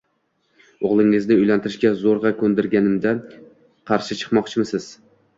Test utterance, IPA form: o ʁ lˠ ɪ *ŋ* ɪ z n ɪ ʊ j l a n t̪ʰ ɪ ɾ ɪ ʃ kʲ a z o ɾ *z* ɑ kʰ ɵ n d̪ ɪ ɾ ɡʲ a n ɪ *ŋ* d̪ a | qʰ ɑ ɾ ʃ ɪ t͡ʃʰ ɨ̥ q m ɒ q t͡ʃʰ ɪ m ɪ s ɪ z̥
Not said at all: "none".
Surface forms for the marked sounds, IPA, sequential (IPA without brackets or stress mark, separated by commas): ŋ, ʁ, m